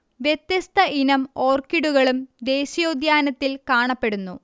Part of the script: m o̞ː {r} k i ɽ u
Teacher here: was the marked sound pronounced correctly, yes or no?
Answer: yes